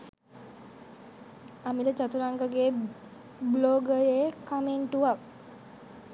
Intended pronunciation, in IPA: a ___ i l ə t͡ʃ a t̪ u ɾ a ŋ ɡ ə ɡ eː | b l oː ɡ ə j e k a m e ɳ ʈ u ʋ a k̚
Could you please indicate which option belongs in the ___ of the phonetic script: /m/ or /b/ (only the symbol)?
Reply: m